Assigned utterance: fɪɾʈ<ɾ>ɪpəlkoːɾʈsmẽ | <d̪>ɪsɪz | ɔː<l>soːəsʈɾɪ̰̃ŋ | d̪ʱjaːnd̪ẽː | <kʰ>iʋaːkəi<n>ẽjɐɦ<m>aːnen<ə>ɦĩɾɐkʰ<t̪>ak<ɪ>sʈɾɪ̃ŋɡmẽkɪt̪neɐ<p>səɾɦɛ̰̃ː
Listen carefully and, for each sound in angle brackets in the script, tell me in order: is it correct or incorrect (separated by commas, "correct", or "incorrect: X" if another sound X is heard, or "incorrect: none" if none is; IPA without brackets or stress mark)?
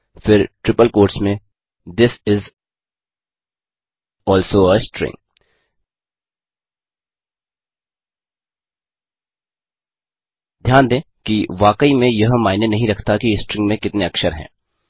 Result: correct, correct, correct, incorrect: k, incorrect: m, correct, incorrect: ɐ, correct, incorrect: i, incorrect: k